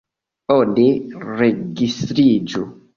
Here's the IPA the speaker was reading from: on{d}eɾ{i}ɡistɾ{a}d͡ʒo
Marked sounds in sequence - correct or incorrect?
correct, incorrect: e, incorrect: i

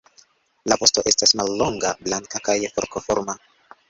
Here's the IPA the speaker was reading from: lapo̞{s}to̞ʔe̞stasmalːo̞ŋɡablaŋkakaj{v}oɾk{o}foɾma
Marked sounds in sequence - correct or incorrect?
correct, incorrect: f, correct

